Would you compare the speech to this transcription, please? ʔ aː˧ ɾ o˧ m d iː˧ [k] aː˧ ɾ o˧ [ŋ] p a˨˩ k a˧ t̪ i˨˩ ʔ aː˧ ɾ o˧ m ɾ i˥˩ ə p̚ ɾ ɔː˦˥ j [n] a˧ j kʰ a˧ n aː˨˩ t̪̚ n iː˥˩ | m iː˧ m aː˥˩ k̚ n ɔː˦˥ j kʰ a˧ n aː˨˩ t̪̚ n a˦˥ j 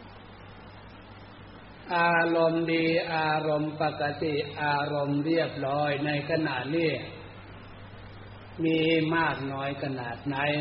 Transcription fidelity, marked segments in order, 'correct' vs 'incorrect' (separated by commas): incorrect, incorrect, correct